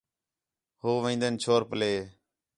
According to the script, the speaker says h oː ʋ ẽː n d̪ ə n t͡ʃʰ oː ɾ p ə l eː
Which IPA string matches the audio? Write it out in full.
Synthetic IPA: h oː ʋ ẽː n d̪ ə n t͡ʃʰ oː ɾ p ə l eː